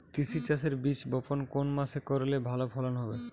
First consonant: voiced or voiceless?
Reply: voiceless